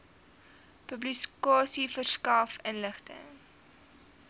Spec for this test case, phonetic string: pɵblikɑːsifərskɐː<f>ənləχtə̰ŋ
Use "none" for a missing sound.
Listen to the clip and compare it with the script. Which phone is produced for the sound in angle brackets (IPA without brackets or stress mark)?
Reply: f